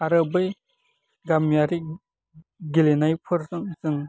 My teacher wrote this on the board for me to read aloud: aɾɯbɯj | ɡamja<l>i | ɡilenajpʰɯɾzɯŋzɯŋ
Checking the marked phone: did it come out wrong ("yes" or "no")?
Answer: yes